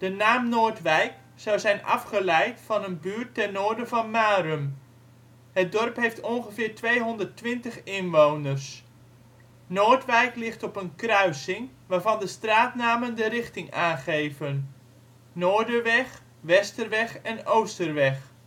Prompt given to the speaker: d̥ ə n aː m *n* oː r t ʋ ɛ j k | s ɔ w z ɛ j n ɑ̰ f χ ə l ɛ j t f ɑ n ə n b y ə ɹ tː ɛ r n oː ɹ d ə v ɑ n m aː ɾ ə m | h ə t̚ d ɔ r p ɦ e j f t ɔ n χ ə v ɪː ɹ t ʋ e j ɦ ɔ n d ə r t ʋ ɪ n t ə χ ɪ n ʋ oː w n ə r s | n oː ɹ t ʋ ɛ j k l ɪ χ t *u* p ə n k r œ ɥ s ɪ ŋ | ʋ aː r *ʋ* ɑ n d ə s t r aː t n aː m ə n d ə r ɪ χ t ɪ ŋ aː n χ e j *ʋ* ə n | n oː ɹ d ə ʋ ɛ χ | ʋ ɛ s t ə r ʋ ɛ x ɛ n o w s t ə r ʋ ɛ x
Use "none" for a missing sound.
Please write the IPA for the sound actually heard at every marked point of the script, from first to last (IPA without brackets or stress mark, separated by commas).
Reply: n, ɔ, v, v